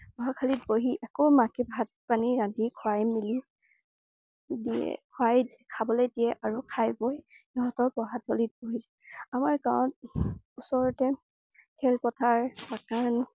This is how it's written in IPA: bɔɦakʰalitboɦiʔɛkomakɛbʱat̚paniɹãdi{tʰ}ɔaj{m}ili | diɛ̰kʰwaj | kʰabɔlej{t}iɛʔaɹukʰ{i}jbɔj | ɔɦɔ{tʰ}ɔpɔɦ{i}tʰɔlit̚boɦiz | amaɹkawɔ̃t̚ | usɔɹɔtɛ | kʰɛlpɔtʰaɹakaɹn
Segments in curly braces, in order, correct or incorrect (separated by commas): incorrect, correct, incorrect, incorrect, incorrect, incorrect